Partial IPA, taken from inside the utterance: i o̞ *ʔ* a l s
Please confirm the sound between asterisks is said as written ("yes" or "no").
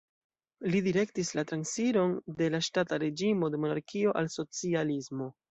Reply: yes